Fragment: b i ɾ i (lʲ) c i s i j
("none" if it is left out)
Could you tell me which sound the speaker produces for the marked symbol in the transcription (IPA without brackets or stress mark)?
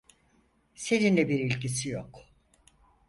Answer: lʲ